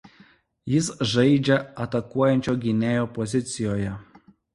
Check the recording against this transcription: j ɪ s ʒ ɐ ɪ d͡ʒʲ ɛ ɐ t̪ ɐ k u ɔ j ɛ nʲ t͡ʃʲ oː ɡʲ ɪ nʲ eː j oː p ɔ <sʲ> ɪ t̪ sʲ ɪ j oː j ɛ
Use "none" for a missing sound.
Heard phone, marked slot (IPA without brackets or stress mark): zʲ